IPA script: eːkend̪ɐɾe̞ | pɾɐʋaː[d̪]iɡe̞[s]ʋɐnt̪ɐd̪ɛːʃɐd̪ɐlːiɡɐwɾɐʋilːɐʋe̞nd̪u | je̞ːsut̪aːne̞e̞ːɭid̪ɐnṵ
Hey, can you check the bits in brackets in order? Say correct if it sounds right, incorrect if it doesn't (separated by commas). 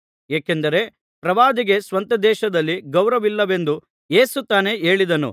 correct, correct